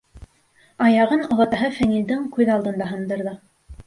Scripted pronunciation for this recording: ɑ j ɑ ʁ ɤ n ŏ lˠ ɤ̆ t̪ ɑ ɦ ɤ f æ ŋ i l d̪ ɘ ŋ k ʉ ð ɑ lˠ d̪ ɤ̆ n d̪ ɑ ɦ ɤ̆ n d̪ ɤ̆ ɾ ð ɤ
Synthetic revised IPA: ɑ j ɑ ʁ ɤ n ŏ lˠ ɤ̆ t̪ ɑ ɦ ɤ f æ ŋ i l d̪ ɘ ŋ k ʉ ð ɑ lˠ d̪ ɤ̆ n d̪ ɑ ɦ ɤ̆ n d̪ ɤ̆ ɾ ð ɤ